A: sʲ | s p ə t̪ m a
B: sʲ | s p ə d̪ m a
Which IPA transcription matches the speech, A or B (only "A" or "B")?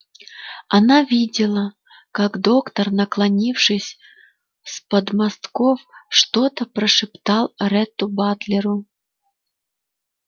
B